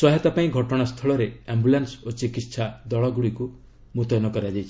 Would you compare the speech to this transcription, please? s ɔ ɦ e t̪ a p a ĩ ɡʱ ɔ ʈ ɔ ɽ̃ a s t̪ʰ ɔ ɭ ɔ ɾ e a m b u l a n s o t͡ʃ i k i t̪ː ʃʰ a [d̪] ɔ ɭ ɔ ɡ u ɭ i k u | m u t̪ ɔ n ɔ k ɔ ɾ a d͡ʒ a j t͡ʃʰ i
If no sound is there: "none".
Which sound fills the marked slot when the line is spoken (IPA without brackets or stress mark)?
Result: d̪